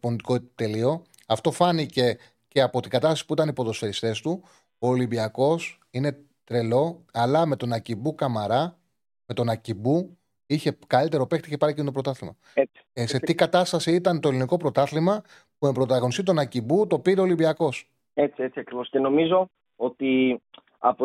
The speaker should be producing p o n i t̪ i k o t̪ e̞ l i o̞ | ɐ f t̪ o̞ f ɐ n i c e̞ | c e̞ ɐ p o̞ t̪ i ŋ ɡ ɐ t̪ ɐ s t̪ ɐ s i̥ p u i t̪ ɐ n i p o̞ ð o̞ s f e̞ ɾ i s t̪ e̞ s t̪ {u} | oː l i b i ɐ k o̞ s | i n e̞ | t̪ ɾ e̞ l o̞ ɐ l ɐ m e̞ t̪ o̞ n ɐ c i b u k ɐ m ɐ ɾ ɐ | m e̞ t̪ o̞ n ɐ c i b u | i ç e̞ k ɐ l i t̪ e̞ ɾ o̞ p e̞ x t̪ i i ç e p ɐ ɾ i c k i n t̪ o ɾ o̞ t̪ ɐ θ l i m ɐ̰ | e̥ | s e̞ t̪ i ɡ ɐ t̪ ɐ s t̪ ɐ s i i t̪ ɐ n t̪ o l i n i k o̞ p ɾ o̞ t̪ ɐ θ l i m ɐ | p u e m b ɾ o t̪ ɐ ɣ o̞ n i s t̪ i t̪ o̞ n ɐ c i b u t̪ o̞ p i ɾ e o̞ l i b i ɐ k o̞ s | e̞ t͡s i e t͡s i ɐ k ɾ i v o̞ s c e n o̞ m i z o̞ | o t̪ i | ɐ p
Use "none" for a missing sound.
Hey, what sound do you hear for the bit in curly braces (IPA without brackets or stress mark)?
u